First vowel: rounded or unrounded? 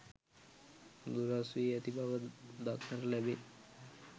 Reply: rounded